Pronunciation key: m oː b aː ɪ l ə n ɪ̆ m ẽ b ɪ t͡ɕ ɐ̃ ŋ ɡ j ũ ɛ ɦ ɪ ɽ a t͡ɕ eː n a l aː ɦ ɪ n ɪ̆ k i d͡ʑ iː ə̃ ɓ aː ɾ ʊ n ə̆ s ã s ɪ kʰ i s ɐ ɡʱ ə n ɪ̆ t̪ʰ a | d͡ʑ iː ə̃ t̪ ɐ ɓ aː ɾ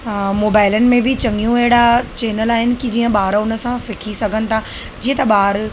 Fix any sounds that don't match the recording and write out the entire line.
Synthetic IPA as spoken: m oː b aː ɪ l ə n ɪ̆ m ẽ b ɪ t͡ɕ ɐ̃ ŋ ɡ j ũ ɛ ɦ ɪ ɽ a t͡ɕ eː n ə l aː ɦ ɪ n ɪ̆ k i d͡ʑ iː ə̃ ɓ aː ɾ ʊ n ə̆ s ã s ɪ kʰ i s ɐ ɡʱ ə n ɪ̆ t̪ʰ a | d͡ʑ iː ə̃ t̪ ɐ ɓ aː ɾ